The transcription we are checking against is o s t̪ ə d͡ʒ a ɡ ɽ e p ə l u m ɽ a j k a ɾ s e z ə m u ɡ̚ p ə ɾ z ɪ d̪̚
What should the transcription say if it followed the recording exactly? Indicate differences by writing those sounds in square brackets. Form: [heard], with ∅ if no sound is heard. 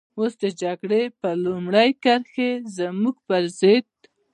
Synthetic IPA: o s [d̪] ə d͡ʒ a ɡ ɽ e p ə l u m ɽ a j k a ɾ [x] e z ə m u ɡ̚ p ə ɾ z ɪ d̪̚